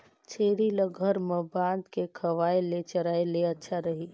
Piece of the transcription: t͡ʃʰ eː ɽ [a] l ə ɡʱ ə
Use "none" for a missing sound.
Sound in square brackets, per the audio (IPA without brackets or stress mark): i